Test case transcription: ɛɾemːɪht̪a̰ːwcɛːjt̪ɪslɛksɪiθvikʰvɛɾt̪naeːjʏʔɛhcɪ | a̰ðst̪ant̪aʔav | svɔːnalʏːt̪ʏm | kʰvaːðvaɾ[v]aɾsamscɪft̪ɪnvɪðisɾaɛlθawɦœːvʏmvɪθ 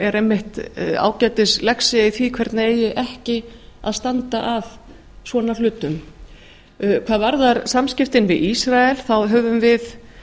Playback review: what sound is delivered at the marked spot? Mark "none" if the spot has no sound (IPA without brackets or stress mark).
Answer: ð